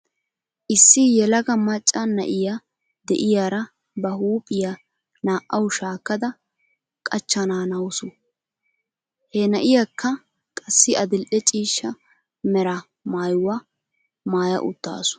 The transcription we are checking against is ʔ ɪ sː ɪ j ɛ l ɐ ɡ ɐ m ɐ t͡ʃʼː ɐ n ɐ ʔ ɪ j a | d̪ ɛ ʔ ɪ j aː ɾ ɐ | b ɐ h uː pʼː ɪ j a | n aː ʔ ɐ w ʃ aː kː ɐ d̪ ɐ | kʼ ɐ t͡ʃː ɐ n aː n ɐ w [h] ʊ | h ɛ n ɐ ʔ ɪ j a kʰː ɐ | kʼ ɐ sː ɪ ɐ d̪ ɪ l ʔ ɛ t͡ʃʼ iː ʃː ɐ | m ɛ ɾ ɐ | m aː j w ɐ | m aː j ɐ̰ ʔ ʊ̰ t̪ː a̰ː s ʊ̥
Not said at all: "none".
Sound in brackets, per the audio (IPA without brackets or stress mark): s